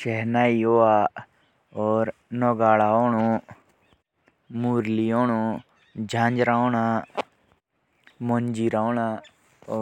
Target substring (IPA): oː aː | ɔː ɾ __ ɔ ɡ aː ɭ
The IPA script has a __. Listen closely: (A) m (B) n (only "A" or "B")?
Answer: B